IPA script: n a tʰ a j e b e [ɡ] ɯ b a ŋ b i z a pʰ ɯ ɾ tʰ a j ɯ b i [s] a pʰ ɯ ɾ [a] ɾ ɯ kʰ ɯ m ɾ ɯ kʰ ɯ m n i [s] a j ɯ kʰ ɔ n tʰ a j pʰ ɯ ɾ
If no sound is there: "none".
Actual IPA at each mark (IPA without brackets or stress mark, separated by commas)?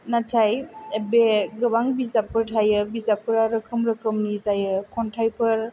ɡ, z, a, z